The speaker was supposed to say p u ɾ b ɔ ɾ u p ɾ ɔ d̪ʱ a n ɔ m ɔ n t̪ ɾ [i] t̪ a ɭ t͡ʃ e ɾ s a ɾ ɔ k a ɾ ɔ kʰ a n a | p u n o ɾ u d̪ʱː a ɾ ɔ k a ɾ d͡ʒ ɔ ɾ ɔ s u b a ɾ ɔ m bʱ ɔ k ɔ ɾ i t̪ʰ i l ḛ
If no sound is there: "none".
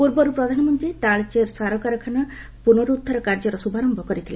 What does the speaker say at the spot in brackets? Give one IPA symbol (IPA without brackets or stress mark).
i